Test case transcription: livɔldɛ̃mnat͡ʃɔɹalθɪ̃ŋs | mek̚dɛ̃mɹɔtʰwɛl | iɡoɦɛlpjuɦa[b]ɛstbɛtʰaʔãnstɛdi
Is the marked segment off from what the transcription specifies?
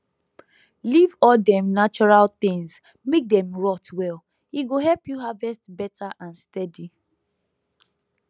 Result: yes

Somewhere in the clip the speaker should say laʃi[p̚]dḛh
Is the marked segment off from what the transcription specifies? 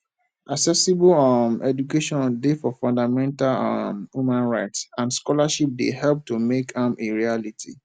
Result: no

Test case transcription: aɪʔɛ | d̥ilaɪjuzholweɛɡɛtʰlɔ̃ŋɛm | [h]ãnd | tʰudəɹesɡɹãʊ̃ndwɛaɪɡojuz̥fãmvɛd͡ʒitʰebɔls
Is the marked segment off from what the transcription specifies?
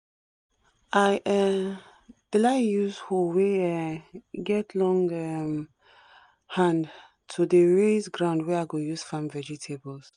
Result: no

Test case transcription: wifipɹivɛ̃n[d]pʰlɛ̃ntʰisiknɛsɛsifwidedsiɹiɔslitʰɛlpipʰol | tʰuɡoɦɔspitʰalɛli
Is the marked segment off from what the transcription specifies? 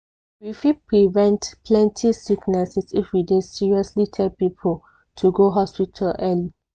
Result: yes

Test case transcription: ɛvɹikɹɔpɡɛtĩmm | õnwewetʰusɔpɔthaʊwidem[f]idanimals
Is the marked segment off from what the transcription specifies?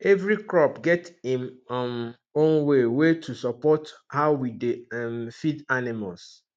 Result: no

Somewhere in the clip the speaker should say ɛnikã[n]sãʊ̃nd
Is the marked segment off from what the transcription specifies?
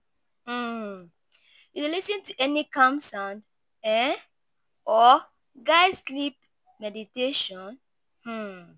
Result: yes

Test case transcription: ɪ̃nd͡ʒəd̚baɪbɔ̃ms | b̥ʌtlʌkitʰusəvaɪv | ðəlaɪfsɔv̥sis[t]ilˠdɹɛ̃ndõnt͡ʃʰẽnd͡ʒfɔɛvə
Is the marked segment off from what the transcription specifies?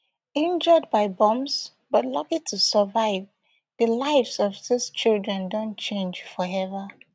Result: yes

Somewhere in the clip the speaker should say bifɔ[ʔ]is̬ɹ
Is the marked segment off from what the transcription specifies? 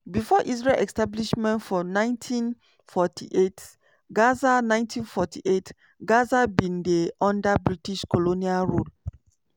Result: no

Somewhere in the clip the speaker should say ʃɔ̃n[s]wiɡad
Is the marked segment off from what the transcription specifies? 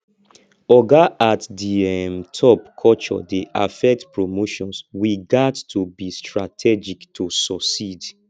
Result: no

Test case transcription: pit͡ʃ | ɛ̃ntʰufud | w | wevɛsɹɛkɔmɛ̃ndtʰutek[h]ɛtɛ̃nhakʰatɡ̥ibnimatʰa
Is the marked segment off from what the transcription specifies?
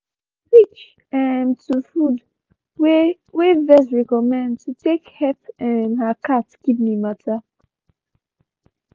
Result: no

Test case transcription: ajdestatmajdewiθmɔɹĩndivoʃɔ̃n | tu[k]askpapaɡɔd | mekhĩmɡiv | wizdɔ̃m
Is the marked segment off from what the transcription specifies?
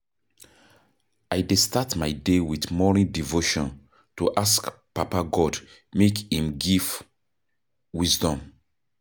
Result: yes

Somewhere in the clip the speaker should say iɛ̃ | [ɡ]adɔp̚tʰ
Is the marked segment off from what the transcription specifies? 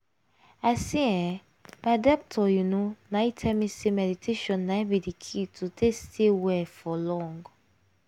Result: yes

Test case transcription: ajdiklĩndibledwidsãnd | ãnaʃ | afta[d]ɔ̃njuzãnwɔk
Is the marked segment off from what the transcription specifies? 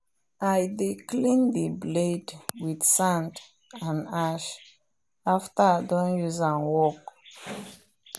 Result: no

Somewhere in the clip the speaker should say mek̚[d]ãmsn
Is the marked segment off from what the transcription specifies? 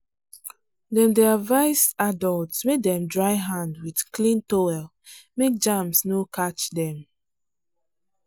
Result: yes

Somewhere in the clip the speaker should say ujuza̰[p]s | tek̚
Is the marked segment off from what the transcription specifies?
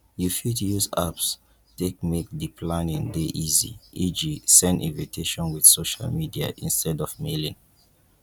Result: no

